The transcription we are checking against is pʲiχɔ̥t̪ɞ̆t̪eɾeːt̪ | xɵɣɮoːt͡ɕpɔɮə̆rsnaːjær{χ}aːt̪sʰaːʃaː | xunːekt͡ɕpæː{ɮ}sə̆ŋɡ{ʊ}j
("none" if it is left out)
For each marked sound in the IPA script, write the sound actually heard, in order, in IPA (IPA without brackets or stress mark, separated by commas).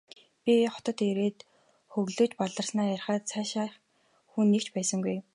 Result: χ, none, u